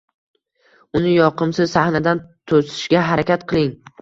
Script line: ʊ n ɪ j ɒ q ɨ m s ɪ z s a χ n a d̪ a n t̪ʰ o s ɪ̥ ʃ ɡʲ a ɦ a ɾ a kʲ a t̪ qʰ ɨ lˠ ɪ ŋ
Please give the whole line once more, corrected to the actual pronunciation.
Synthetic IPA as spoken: ʊ n ɪ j ɒ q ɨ m s ɪ z s a h n a d̪ a n t̪ʰ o s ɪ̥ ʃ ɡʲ a ɦ a ɾ a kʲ a t̪ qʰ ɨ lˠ ɪ ŋ

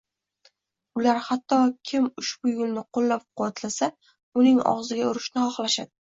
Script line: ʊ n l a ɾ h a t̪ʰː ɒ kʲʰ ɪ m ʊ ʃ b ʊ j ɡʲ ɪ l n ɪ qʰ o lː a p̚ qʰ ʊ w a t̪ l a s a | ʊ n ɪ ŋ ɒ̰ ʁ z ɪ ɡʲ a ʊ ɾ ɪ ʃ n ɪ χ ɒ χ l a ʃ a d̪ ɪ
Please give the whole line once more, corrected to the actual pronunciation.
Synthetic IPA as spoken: ʊ l a ɾ h a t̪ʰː ɒ kʲʰ ɪ m ʊ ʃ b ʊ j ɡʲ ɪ l n ɪ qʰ o lː a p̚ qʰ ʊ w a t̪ l a s a | ʊ n ɪ ŋ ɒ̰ ʁ z ɪ ɡʲ a ʊ ɾ ɪ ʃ n ɪ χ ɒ χ l a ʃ a d̪ ɪ

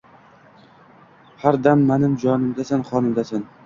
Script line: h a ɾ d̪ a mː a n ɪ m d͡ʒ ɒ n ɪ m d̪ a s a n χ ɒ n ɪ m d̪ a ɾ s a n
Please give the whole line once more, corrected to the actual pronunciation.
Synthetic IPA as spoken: h a ɾ d̪ a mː a n ɪ m d͡ʒ ɒ n ɪ m d̪ a s a n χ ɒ n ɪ m d̪ a s a n

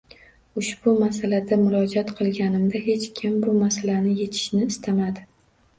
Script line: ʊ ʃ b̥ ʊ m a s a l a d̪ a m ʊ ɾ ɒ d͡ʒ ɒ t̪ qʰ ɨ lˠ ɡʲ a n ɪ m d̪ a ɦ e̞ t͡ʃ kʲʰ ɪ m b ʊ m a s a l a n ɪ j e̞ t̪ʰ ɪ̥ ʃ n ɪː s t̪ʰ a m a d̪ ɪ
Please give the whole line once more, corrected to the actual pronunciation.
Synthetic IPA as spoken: ʊ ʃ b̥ ʊ m a s a l a d̪ a m ʊ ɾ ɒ d͡ʒ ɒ t̪ qʰ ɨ lˠ ɡʲ a n ɪ m d̪ a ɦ e̞ t͡ʃ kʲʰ ɪ m b ʊ m a s a l a n ɪ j e̞ t̪ʰ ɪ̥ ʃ n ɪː s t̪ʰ a m a d̪ ɪ

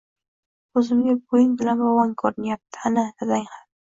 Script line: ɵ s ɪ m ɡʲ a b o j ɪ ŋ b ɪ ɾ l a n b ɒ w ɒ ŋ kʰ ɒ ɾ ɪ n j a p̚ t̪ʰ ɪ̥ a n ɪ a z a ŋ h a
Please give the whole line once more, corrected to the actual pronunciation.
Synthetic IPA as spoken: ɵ z ɪ m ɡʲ a b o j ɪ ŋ b ɪ l a n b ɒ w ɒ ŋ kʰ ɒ ɾ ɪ n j a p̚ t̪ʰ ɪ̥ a n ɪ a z a ŋ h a

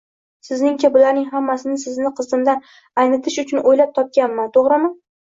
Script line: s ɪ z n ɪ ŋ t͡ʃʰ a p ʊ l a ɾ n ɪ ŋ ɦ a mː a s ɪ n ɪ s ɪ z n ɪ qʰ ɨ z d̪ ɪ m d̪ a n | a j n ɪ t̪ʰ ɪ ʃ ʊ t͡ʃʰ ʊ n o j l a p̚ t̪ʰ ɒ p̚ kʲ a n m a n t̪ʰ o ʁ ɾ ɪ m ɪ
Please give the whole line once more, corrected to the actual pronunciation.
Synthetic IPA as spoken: s ɪ z n ɪ ŋ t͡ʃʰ a b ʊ l a ɾ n ɪ ŋ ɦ a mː a s ɪ n ɪ s ɪ z n ɪ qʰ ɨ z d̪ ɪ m d̪ a n | a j n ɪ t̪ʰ ɪ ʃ ʊ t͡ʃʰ ʊ n o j l a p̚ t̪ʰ ɒ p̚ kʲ a n m a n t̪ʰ o ʁ ɾ ɪ m ɪ

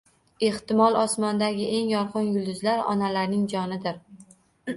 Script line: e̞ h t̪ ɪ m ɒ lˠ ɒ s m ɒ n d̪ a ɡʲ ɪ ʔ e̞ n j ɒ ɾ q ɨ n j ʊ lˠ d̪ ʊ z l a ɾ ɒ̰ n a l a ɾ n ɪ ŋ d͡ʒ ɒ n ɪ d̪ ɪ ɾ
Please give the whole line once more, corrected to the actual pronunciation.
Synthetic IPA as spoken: e̞ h t̪ ɪ m ɒ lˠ ɒ s m ɒ n d̪ a ɡʲ ɪ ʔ e̞ ŋ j ɒ ɾ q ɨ n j ʊ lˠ d̪ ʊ z l a ɾ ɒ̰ n a l a ɾ n ɪ ŋ d͡ʒ ɒ n ɪ d̪ ɪ ɾ

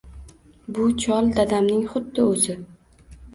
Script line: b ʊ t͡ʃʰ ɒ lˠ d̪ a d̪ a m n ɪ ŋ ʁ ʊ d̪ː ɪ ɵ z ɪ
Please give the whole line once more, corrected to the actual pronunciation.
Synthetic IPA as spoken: b ʊ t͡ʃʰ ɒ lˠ d̪ a d̪ a m n ɪ ŋ χ ʊ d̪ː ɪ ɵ z ɪ

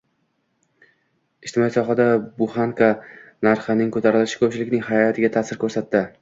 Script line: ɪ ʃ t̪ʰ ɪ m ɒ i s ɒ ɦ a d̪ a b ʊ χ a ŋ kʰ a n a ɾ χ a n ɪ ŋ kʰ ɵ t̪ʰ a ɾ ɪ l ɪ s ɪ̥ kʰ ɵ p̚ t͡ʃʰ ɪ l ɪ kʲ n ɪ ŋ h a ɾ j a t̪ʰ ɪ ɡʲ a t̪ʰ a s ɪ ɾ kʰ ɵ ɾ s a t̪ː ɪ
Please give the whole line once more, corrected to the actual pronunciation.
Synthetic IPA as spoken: ɪ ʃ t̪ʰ ɪ m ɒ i s ɒ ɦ a d̪ a b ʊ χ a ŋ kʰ a n a ɾ χ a n ɪ ŋ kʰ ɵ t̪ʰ a ɾ ɪ l ɪ ʃ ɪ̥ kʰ ɵ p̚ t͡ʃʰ ɪ l ɪ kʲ n ɪ ŋ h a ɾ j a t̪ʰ ɪ ɡʲ a t̪ʰ a s ɪ ɾ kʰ ɵ ɾ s a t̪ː ɪ

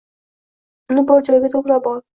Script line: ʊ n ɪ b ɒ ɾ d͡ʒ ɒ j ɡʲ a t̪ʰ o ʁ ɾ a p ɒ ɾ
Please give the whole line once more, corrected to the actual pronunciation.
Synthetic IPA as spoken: ʊ n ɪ b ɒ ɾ d͡ʒ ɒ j ɡʲ a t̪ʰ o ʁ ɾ a b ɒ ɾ

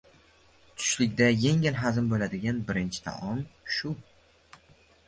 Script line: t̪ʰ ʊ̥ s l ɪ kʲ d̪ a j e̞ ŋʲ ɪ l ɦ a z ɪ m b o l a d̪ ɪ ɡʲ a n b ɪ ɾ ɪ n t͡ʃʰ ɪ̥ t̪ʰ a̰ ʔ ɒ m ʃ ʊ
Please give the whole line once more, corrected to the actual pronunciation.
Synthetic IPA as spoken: t̪ʰ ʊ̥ ʃ l ɪ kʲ d̪ a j e̞ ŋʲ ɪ l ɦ a z ɪ m b o l a d̪ ɪ ɡʲ a n b ɪ ɾ ɪ n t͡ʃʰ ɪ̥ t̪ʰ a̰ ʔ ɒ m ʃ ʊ

